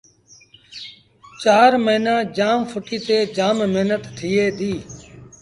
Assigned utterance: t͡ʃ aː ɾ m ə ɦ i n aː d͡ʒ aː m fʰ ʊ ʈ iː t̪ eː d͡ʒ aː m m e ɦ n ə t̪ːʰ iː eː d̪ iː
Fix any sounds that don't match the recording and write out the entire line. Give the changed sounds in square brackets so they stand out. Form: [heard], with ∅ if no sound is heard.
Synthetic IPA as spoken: t͡ʃ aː ɾ m ə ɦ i n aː d͡ʒ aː m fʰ ʊ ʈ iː t̪ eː d͡ʒ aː m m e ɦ n ə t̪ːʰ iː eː d̪ iː